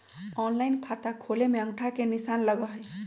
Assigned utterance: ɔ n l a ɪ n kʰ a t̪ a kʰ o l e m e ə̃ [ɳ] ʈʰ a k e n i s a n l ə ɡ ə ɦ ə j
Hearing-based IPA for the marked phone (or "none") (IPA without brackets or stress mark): ŋ